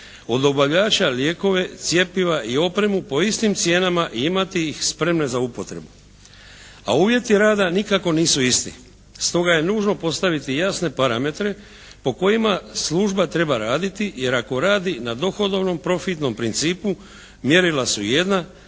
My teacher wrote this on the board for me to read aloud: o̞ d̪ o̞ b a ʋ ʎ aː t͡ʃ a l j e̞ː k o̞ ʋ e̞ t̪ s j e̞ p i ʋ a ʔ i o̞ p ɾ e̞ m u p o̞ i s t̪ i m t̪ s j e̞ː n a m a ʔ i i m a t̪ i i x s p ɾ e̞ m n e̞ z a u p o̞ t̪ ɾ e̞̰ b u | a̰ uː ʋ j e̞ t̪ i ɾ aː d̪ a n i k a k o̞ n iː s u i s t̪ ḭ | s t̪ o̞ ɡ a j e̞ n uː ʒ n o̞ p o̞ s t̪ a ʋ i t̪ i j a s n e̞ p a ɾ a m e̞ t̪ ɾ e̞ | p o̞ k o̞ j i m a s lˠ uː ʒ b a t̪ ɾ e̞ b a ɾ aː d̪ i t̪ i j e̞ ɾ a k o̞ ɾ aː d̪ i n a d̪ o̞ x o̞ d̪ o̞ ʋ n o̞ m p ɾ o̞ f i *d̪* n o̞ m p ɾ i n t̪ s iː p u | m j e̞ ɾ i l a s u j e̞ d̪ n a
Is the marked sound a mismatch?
yes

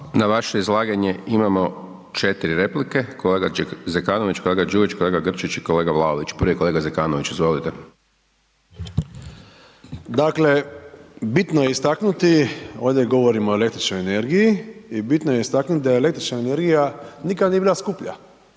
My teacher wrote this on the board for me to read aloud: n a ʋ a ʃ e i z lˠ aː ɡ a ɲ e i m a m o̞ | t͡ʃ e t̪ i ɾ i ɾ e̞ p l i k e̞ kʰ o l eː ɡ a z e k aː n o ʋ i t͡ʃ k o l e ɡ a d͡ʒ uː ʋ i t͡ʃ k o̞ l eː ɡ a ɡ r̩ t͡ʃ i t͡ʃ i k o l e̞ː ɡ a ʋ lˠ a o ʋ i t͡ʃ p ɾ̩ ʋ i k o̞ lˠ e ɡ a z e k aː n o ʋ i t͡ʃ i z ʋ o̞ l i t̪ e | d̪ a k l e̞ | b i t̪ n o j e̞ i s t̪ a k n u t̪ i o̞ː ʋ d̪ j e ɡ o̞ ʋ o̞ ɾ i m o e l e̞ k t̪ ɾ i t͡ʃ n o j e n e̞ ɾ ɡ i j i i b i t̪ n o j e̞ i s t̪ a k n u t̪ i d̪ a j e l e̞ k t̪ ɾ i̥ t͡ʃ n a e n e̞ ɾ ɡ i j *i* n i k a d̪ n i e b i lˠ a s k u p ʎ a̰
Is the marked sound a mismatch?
yes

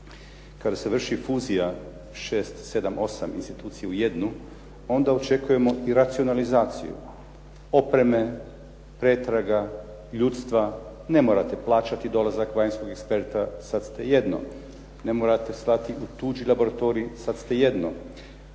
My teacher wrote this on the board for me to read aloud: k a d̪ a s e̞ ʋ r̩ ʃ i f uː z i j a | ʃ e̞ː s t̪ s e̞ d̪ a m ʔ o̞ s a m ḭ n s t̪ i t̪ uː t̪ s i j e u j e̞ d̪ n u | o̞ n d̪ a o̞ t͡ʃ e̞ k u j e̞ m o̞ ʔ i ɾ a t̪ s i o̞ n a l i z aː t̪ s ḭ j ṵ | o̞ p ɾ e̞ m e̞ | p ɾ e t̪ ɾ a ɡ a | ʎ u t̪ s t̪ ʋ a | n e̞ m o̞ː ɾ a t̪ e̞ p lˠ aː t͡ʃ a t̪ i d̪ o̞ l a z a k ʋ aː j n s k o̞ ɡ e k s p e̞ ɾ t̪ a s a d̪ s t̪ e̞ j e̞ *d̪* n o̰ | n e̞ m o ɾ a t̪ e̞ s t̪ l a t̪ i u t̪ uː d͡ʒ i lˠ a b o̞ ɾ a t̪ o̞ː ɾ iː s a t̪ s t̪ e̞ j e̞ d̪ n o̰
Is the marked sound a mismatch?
no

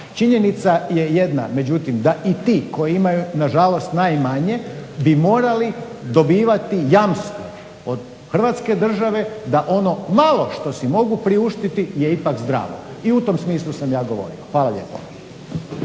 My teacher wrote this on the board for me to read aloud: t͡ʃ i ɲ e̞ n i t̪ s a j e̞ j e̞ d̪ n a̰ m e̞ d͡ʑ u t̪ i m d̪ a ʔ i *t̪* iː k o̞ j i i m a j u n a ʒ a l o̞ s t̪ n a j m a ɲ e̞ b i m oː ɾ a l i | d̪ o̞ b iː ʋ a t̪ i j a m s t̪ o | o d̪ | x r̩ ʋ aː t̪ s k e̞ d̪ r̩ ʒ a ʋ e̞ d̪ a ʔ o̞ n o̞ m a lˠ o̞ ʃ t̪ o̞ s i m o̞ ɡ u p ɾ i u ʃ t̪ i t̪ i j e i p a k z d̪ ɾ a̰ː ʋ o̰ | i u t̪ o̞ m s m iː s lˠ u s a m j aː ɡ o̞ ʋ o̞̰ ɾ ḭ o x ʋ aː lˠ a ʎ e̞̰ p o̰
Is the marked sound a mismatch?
no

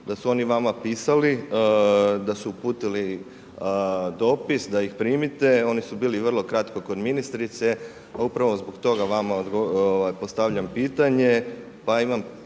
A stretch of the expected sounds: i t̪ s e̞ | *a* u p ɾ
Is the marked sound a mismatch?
no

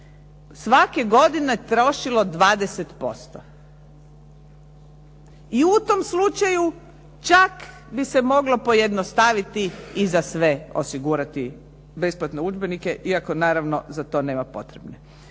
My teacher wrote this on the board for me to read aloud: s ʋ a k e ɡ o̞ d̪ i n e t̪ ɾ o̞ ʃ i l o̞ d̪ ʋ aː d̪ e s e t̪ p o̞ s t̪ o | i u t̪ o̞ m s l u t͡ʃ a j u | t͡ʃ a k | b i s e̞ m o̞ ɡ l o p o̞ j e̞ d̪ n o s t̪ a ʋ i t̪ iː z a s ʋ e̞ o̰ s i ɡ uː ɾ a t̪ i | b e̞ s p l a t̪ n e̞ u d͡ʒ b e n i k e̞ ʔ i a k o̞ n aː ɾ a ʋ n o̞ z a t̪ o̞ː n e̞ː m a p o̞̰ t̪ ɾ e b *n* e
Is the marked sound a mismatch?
no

